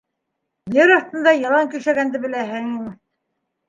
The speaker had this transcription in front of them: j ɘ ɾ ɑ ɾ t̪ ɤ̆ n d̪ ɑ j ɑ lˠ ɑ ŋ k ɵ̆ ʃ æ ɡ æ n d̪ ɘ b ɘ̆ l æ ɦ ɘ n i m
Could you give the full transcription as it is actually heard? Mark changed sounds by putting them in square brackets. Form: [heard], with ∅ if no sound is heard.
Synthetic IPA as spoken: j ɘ ɾ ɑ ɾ t̪ ɤ̆ n d̪ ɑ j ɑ lˠ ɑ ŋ k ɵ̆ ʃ æ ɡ æ n d̪ ɘ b ɘ̆ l æ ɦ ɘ [ŋ] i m